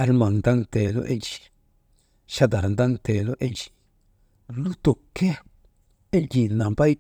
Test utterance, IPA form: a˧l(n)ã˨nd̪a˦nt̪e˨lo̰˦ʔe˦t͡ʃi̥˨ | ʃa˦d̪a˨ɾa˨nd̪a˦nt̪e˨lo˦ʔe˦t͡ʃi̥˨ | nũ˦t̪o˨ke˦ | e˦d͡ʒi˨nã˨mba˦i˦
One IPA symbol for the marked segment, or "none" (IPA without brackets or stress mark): m